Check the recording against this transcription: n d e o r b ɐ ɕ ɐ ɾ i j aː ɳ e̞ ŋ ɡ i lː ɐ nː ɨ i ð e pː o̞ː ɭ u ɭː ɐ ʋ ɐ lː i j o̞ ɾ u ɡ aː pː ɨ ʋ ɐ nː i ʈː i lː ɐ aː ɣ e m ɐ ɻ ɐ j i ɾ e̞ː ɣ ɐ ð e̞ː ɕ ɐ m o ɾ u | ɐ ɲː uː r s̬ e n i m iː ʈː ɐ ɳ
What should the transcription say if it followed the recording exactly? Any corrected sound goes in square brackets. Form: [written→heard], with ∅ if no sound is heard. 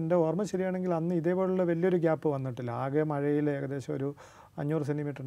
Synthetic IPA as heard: n d e o r [b→m] ɐ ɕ ɐ ɾ i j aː ɳ e̞ ŋ ɡ i [lː→l] ɐ nː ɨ i ð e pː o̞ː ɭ u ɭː ɐ ʋ ɐ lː i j o̞ ɾ u ɡ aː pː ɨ ʋ ɐ nː i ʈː i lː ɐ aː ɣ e m ɐ ɻ ɐ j i [ɾ→l] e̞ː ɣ ɐ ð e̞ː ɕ ɐ m o ɾ u | ɐ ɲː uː r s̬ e n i m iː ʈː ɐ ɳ